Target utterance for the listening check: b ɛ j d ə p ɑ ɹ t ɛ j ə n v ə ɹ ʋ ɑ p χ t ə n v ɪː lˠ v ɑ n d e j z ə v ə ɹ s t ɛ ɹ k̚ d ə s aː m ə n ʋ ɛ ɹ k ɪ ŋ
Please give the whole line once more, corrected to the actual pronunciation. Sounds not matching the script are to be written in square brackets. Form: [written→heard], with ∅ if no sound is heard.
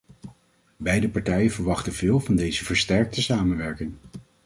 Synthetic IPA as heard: b ɛ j d ə p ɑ ɹ t ɛ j ə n v ə ɹ ʋ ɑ [p→∅] χ t ə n v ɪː lˠ v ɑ n d e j z ə v ə ɹ s t ɛ ɹ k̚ [d→t] ə s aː m ə n ʋ ɛ ɹ k ɪ ŋ